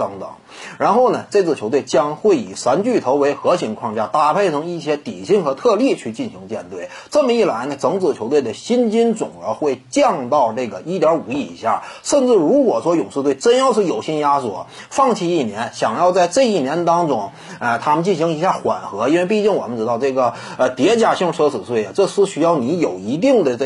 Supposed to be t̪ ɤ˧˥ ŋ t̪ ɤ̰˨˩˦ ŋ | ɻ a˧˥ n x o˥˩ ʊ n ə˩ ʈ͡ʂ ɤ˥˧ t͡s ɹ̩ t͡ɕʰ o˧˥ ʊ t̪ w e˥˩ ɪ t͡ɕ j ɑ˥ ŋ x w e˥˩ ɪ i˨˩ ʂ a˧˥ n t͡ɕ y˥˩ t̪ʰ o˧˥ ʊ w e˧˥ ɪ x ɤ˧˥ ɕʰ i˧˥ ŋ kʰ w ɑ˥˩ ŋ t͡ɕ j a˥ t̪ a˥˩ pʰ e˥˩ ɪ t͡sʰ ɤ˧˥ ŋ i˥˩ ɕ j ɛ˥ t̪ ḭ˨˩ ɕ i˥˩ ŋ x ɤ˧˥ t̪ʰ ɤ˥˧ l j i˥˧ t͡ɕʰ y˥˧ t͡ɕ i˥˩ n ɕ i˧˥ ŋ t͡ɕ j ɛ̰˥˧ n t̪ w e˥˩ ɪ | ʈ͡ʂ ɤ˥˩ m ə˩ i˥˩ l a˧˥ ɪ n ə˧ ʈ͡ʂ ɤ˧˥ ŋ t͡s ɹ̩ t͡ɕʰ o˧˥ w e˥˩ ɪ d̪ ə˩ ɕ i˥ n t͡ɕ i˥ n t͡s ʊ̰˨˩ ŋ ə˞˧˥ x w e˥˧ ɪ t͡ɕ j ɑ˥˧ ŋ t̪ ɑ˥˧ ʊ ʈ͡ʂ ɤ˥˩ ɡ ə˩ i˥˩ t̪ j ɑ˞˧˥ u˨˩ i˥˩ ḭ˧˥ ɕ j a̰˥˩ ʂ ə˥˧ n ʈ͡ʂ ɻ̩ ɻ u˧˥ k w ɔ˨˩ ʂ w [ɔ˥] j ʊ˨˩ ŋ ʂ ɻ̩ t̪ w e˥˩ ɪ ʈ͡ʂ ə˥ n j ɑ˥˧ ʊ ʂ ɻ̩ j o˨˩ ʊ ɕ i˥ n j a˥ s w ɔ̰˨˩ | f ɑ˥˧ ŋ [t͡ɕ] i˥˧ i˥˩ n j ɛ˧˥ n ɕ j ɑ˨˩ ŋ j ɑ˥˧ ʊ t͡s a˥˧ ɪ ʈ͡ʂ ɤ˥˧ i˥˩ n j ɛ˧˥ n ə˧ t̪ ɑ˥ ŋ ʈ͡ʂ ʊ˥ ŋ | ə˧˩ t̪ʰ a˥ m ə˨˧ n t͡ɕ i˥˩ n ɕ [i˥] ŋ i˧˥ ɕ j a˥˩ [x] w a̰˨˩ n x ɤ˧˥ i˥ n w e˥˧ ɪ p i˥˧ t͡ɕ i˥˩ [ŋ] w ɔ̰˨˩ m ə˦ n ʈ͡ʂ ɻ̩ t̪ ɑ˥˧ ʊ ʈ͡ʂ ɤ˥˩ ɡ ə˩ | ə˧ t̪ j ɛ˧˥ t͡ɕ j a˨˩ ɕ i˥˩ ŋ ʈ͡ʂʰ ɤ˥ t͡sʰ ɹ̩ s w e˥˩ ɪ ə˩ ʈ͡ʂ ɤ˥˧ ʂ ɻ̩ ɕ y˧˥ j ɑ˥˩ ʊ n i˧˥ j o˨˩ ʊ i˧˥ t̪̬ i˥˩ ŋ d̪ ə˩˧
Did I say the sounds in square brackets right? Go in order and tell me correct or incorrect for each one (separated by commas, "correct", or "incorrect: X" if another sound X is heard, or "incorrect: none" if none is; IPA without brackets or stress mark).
correct, incorrect: t͡ɕʰ, incorrect: i˧˥, correct, correct